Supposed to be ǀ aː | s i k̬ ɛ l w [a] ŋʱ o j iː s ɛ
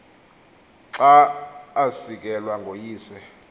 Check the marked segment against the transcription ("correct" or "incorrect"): correct